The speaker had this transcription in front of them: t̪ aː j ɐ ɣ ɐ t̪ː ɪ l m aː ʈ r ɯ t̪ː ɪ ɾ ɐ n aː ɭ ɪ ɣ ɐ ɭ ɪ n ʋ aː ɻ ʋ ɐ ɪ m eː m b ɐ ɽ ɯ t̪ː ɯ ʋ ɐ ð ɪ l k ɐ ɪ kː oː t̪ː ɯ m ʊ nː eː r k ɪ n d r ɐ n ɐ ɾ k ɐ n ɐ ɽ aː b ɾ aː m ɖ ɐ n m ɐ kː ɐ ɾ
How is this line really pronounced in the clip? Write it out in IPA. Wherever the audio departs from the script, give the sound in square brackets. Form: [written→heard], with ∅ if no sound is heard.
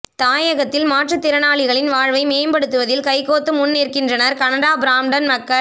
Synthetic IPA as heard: t̪ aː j ɐ ɣ ɐ t̪ː ɪ l m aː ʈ r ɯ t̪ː ɪ ɾ ɐ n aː ɭ ɪ ɣ ɐ ɭ ɪ n ʋ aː ɻ ʋ ɐ ɪ m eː m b ɐ ɽ ɯ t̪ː ɯ ʋ ɐ ð ɪ l k ɐ ɪ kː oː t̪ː ɯ m ʊ nː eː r k ɪ n d r ɐ n ɐ ɾ k ɐ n ɐ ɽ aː b ɾ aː m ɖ ɐ n m ɐ kː ɐ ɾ

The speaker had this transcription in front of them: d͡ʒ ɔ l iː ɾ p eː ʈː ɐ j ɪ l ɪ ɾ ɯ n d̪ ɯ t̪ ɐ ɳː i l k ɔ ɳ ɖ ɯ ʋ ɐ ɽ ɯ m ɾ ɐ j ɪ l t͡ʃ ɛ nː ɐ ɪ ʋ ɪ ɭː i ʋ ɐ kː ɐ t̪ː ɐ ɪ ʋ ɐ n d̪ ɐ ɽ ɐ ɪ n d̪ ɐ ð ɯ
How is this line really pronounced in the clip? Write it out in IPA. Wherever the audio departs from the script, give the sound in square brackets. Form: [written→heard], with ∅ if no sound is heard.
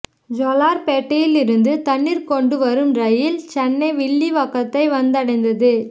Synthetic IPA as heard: d͡ʒ ɔ l [iː→aː] ɾ p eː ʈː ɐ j ɪ l ɪ ɾ ɯ n d̪ ɯ t̪ ɐ ɳː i [l→ɾ] k ɔ ɳ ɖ ɯ ʋ ɐ [ɽ→ɾ] ɯ m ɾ ɐ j ɪ l t͡ʃ ɛ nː ɐ ɪ ʋ ɪ ɭː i ʋ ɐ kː ɐ t̪ː ɐ ɪ ʋ ɐ n d̪ ɐ ɽ ɐ ɪ n d̪ ɐ ð ɯ

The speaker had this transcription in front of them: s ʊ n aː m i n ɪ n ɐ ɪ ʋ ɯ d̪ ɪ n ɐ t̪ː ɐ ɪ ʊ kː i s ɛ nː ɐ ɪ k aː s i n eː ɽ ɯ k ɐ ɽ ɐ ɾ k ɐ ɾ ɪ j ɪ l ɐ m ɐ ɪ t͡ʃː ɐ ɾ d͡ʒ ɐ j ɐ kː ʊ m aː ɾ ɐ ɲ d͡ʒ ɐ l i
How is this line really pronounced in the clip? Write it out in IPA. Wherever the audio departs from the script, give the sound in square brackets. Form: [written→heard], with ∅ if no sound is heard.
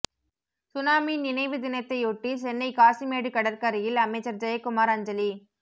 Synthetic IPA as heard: s ʊ n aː m i n ɪ n ɐ ɪ ʋ ɯ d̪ ɪ n ɐ t̪ː ɐ ɪ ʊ [kː→ʈː] i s ɛ nː ɐ ɪ k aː s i [n→m] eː ɽ ɯ k ɐ ɽ ɐ ɾ k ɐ ɾ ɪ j ɪ l ɐ m ɐ ɪ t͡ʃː ɐ ɾ d͡ʒ ɐ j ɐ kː ʊ m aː ɾ ɐ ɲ d͡ʒ ɐ l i

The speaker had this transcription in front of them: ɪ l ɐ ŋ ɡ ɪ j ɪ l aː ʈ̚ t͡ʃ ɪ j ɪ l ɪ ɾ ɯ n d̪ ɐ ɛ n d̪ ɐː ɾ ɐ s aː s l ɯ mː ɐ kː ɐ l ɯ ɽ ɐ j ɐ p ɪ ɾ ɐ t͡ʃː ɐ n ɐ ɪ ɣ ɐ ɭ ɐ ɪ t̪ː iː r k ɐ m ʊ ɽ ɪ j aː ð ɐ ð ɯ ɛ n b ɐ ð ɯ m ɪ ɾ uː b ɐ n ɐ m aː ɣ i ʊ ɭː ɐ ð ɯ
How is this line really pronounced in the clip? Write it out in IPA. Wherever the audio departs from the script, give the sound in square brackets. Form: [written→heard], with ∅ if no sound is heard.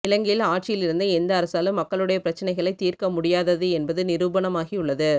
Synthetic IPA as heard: ɪ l ɐ ŋ ɡ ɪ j ɪ l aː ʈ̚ t͡ʃ ɪ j ɪ l ɪ ɾ ɯ n d̪ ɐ ɛ n d̪ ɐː ɾ ɐ s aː [s→∅] l ɯ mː ɐ kː ɐ [l→ɭ] ɯ ɽ ɐ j ɐ p ɪ ɾ ɐ t͡ʃː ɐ n ɐ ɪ ɣ ɐ ɭ ɐ ɪ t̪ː iː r k ɐ m ʊ ɽ ɪ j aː ð ɐ ð ɯ ɛ n b ɐ ð ɯ [m→n] ɪ ɾ uː b ɐ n ɐ m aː ɣ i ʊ ɭː ɐ ð ɯ

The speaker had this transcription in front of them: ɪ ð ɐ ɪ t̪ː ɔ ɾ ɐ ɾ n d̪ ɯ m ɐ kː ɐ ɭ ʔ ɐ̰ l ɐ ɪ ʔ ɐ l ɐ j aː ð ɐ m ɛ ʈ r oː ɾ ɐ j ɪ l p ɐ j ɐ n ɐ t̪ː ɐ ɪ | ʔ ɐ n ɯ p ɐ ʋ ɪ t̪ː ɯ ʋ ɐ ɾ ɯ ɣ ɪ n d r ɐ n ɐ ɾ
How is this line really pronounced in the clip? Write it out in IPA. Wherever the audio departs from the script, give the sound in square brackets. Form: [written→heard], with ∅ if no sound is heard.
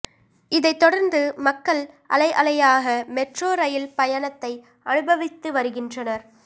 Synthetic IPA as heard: ɪ ð ɐ ɪ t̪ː ɔ [ɾ→ɽ] ɐ ɾ n d̪ ɯ m ɐ kː ɐ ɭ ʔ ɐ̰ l ɐ ɪ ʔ ɐ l ɐ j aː [ð→ɣ] ɐ m ɛ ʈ r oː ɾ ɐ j ɪ l p ɐ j ɐ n ɐ t̪ː ɐ ɪ | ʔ ɐ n ɯ [p→b] ɐ ʋ ɪ t̪ː ɯ ʋ ɐ ɾ ɯ ɣ ɪ n d r ɐ n ɐ ɾ

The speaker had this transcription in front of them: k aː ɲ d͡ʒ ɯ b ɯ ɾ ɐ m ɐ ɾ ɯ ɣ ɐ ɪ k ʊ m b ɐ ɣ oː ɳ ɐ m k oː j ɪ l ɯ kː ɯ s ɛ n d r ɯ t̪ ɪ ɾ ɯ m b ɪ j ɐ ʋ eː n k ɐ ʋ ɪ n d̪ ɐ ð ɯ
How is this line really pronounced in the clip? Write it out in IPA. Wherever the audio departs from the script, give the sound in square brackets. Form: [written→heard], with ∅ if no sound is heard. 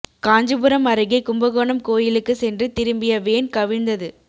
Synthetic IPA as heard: k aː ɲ d͡ʒ ɯ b ɯ ɾ ɐ m ɐ ɾ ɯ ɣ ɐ ɪ k ʊ m b ɐ ɣ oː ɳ ɐ m k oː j ɪ l ɯ kː ɯ s ɛ n d r ɯ t̪ ɪ ɾ ɯ m b ɪ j ɐ ʋ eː n k ɐ ʋ ɪ n d̪ ɐ ð ɯ

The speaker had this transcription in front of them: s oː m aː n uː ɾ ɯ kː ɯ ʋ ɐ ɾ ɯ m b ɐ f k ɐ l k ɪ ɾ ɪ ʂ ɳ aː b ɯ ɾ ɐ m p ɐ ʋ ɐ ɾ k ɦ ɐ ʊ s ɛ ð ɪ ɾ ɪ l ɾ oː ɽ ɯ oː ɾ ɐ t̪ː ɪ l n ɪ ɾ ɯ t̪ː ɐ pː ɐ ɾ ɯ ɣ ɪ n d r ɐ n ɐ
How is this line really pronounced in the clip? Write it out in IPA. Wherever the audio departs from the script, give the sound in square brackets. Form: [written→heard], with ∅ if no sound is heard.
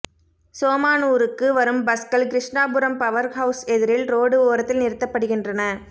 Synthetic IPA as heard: s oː m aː n uː ɾ ɯ kː ɯ ʋ ɐ ɾ ɯ m b ɐ [f→s] k ɐ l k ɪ ɾ ɪ ʂ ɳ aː b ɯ ɾ ɐ m p ɐ ʋ ɐ ɾ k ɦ ɐ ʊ s ɛ ð ɪ ɾ ɪ l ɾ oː ɽ ɯ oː ɾ ɐ t̪ː ɪ l n ɪ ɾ ɯ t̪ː ɐ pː ɐ [ɾ→ɽ] ɯ ɣ ɪ n d r ɐ n ɐ

